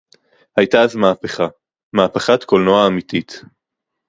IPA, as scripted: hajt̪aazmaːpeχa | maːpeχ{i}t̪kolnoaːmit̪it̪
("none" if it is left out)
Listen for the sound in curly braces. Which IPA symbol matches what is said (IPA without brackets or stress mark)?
a